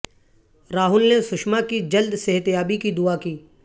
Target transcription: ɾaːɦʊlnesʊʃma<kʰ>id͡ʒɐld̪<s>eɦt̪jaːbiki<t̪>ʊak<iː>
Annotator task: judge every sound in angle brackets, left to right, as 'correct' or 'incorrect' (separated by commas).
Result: incorrect, correct, incorrect, correct